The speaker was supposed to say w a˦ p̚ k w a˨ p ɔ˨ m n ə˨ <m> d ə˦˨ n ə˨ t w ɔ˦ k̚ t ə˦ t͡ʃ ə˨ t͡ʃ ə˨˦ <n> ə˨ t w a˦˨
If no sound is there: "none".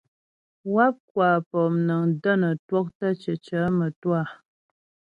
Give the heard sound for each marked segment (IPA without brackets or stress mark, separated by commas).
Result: ŋ, m